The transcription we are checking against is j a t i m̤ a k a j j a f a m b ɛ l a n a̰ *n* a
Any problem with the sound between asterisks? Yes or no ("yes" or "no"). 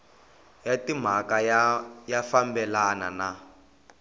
no